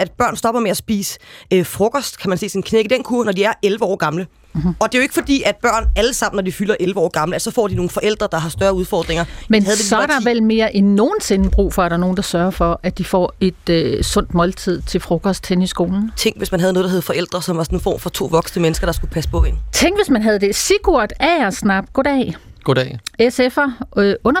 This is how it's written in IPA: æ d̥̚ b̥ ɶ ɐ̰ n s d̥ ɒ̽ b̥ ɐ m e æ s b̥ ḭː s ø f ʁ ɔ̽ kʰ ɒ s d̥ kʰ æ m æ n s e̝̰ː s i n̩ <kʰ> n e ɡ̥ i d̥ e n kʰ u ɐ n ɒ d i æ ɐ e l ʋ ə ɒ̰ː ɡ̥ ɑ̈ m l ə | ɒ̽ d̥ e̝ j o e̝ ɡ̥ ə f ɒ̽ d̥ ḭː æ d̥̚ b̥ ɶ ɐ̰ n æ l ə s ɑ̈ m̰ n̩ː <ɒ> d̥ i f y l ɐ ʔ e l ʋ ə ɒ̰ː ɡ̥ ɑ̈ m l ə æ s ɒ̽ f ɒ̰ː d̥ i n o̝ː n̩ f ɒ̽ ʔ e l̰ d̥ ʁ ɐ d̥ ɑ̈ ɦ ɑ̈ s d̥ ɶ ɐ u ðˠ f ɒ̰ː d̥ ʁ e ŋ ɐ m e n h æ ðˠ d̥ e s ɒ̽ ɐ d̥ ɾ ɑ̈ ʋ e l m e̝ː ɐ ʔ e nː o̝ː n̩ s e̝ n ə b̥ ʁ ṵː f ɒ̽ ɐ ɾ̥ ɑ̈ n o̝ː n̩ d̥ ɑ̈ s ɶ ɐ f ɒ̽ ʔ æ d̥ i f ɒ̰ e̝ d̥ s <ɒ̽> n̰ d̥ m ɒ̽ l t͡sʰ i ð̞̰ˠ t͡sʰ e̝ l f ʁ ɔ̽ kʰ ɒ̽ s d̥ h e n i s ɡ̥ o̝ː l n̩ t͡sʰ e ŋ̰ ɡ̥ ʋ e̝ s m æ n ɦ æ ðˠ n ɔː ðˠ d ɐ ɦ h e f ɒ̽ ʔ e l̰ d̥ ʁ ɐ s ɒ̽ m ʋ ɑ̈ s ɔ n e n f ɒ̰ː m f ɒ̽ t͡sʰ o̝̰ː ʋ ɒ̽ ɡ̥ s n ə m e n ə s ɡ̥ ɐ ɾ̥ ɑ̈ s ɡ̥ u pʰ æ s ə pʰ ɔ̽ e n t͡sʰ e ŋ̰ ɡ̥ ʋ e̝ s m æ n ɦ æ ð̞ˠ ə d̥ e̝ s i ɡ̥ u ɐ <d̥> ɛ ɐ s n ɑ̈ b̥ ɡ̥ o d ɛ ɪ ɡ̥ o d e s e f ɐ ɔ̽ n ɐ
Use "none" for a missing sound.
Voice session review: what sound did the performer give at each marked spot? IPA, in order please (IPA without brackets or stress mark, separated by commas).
kʰ, ɒ, ɔ̽, d̥